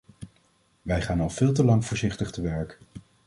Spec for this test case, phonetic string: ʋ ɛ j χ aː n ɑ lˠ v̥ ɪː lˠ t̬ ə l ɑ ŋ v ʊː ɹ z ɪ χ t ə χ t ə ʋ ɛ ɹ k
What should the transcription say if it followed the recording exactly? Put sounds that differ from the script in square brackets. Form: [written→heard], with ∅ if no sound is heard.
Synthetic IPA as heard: ʋ ɛ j χ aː n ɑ lˠ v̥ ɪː lˠ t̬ ə l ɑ ŋ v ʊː ɹ z ɪ χ t ə χ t ə ʋ ɛ ɹ k